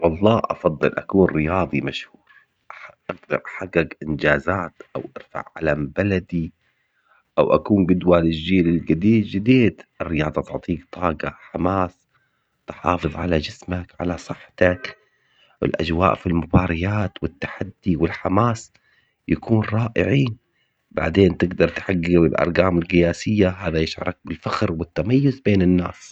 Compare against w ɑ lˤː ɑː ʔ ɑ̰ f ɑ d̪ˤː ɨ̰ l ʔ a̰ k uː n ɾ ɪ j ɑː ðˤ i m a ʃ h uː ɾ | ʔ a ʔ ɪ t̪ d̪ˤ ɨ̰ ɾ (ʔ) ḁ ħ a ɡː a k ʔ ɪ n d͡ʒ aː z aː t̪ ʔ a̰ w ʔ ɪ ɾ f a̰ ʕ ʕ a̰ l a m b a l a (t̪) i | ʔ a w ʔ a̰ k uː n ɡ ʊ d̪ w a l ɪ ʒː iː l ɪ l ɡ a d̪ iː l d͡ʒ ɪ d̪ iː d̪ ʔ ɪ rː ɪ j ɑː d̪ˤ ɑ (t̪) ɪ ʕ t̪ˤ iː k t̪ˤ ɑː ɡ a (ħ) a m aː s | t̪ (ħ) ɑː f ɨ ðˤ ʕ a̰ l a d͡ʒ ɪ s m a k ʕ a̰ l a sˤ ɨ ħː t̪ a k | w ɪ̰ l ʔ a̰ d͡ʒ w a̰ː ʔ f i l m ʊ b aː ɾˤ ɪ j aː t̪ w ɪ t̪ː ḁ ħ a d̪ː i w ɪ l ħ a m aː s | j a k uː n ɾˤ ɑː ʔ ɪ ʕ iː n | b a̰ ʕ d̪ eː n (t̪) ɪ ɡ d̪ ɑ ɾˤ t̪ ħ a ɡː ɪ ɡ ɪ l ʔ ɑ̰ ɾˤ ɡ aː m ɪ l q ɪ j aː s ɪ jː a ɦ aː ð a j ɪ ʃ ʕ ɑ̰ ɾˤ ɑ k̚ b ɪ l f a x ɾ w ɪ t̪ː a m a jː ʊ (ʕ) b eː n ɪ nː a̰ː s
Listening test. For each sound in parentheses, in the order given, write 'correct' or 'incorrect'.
correct, incorrect: d̪, correct, correct, correct, correct, incorrect: z

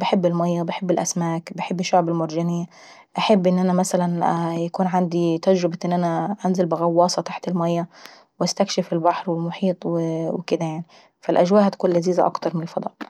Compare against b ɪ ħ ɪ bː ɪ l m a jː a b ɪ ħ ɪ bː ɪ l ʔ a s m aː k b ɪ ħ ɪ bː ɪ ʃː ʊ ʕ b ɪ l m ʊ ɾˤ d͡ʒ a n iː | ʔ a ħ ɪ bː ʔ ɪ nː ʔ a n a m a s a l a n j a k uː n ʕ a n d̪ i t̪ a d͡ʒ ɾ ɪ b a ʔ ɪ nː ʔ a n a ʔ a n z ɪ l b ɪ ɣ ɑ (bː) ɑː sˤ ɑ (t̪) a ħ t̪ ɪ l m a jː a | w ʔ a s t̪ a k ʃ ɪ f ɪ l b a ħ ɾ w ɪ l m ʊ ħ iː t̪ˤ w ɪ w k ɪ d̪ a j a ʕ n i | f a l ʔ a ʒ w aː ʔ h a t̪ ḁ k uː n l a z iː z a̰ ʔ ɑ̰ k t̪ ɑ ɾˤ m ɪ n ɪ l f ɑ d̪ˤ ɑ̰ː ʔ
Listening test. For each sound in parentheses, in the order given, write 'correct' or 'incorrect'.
incorrect: wː, correct

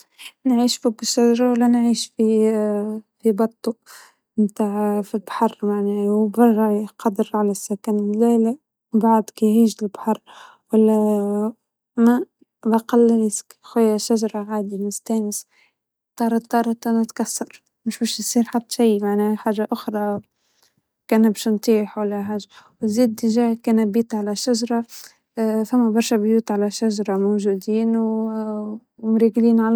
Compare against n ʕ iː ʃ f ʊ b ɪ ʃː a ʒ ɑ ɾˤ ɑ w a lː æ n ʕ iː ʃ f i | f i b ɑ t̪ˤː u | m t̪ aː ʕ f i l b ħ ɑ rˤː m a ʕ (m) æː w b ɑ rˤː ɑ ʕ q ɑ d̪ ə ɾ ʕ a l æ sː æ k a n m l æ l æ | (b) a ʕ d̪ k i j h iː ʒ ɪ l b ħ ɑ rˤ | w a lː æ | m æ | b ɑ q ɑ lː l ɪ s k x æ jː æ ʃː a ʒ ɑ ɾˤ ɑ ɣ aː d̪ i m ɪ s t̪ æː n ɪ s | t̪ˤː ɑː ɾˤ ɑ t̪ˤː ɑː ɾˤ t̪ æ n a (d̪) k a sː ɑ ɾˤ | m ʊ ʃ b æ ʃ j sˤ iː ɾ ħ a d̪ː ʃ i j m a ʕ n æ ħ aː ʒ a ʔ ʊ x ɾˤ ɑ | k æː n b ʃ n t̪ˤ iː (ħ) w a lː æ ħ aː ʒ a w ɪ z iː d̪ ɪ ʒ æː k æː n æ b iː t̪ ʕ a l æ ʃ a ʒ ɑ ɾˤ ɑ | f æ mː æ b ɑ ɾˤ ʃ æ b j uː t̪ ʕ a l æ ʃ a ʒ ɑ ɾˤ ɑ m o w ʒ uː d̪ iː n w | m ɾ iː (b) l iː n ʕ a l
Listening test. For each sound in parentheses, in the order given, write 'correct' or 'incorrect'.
incorrect: n, correct, incorrect: t̪, correct, incorrect: ɡ

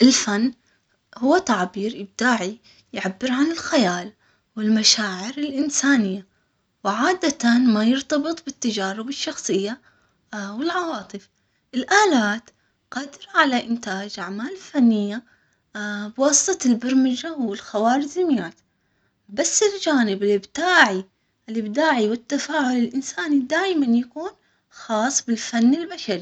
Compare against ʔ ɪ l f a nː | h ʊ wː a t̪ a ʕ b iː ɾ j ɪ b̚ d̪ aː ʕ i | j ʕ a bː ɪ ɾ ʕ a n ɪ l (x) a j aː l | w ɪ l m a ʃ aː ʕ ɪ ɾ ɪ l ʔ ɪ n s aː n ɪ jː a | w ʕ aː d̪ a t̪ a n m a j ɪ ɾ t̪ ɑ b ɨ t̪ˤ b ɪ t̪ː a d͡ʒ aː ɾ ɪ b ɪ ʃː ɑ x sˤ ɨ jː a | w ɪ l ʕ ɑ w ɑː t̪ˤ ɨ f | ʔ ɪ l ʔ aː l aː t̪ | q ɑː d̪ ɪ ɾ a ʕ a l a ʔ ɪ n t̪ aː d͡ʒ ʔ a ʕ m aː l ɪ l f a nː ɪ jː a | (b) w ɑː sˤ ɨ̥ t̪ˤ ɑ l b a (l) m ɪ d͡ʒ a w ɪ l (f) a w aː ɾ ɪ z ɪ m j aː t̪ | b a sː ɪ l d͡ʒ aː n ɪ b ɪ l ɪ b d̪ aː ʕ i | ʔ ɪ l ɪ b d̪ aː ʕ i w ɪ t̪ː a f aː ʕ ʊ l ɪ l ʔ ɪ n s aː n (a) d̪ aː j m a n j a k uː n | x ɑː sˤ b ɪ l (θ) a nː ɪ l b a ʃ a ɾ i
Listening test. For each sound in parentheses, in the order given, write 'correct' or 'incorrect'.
correct, correct, incorrect: ɾ, incorrect: x, incorrect: i, incorrect: f

